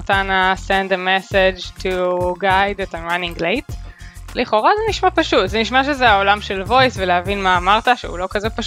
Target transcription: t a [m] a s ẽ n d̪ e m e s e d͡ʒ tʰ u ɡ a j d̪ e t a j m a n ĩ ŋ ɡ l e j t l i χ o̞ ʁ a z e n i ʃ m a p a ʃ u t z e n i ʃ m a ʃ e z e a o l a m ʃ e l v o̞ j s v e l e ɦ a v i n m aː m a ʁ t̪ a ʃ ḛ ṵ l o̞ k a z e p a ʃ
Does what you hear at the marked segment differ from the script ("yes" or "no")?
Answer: yes